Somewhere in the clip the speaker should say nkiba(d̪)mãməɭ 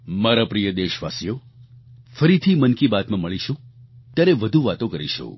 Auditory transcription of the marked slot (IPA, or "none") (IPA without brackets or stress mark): t̪